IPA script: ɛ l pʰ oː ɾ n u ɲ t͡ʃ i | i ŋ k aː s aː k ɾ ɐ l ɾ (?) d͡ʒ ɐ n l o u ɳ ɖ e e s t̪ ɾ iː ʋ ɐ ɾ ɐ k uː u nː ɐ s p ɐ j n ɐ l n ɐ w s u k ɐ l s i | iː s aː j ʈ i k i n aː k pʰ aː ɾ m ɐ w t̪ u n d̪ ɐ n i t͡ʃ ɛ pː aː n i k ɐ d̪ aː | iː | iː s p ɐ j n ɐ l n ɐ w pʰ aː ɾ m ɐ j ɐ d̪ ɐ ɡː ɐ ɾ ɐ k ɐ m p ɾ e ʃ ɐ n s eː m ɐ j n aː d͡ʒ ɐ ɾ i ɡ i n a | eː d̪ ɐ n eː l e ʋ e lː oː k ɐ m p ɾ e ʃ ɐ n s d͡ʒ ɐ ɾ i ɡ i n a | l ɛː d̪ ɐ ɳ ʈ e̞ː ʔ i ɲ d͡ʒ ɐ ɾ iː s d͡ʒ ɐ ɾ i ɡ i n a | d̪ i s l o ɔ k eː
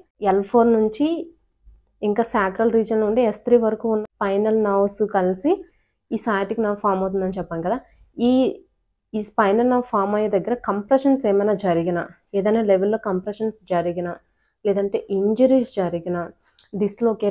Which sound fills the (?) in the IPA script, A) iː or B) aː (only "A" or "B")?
A